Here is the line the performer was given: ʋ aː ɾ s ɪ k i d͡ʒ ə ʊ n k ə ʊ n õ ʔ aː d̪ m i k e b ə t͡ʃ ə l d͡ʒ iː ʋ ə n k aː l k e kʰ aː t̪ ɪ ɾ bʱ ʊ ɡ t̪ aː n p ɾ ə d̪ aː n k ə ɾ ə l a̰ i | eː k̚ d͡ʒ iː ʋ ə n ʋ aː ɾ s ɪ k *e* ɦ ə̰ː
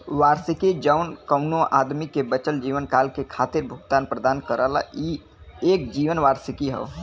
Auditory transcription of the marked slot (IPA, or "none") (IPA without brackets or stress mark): i